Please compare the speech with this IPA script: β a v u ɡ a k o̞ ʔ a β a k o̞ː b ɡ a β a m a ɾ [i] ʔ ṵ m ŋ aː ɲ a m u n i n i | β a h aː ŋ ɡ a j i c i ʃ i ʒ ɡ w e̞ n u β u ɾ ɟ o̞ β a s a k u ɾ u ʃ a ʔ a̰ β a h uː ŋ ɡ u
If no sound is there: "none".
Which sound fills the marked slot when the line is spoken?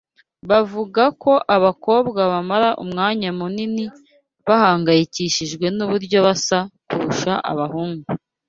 a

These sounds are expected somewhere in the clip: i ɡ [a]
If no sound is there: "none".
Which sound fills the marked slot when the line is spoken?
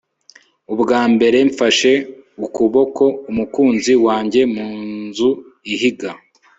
a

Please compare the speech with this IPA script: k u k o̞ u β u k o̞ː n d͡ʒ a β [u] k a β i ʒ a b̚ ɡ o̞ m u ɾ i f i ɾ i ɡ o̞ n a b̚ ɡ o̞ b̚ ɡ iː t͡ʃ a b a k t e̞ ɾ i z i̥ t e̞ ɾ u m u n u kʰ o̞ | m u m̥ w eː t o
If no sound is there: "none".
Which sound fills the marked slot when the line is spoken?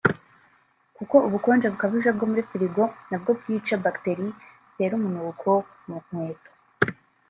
u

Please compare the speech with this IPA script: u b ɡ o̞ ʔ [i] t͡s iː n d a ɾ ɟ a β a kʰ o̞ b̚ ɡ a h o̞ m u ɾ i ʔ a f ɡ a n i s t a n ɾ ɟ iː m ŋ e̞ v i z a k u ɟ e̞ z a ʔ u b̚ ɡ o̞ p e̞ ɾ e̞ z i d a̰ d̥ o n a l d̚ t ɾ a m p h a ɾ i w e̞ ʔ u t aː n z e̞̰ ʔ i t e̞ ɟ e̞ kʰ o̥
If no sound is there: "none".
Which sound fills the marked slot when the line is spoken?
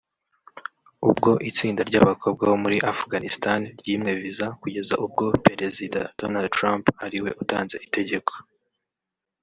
i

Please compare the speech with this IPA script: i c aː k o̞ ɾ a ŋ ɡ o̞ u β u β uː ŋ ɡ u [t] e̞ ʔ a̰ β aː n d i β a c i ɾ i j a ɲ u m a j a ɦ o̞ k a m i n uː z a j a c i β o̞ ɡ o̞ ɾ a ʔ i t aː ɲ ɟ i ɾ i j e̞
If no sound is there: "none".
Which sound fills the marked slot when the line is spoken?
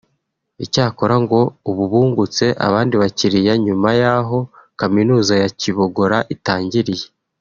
t͡s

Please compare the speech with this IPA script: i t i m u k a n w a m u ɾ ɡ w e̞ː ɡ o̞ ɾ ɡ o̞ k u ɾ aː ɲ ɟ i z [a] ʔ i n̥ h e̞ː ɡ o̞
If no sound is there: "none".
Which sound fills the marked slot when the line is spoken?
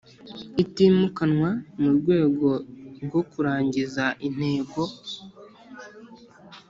a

